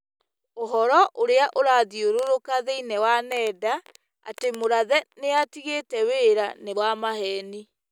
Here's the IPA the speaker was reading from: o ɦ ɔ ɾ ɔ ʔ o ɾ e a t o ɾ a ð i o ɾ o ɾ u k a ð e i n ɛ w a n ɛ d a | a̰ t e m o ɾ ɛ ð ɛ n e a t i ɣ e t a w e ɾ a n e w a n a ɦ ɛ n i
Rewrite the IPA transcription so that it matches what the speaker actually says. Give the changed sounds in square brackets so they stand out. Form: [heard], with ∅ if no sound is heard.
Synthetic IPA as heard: o ɦ ɔ ɾ ɔ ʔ o ɾ e a [ʔ] o ɾ a ð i o ɾ o ɾ [o] k a ð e i n ɛ w a n ɛ d a | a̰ t e m o ɾ [a] ð ɛ n e a t i ɣ e t [ɛ] w e ɾ a n e w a [m] a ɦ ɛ n i

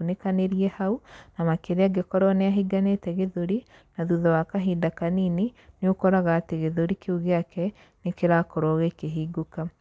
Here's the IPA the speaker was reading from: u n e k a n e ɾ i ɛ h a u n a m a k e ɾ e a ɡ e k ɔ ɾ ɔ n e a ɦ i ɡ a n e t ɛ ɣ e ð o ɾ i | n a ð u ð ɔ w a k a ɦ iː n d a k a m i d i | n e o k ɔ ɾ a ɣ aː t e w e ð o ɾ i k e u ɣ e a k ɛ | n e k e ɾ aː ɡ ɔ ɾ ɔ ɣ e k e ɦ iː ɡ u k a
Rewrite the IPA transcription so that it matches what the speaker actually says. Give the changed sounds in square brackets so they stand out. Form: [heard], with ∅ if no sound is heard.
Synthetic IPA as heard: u n e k a n e ɾ i ɛ h a u n a m a k e ɾ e a ɡ e k ɔ ɾ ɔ n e a ɦ i ɡ a n e t ɛ ɣ e ð o ɾ i | n a ð u ð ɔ w a k a ɦ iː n d a k a [n] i [n] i | n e o k ɔ ɾ a ɣ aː t e [ɣ] e ð o ɾ i k e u ɣ e a k ɛ | n e k e ɾ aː [k] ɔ ɾ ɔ ɣ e k e ɦ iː ɡ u k a

